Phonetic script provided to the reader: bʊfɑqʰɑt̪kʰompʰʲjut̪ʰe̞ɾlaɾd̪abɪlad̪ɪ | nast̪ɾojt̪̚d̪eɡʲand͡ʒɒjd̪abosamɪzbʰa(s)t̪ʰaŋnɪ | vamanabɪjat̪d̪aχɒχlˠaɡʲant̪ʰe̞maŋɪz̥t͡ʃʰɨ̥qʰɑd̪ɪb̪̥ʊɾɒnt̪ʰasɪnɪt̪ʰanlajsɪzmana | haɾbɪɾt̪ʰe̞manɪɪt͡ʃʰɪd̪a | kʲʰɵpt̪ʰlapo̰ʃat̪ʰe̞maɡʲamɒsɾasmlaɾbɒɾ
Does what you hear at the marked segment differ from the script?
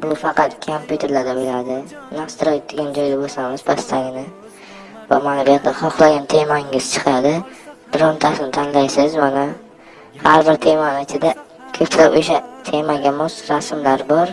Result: no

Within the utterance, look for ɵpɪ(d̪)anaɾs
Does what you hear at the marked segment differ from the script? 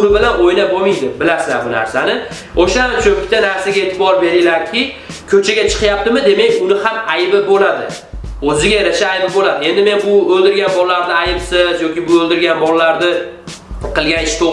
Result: yes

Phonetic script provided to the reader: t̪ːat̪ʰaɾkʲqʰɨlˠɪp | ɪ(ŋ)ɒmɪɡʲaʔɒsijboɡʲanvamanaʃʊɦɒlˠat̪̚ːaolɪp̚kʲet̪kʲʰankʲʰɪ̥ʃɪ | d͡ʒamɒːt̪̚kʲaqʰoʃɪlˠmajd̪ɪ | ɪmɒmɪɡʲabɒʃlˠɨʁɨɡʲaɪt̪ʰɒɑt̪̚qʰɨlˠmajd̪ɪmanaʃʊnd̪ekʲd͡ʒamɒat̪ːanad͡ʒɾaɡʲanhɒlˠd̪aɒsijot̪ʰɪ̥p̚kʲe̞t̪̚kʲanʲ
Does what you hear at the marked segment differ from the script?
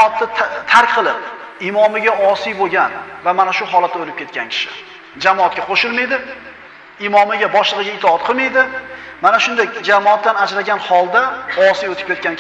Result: yes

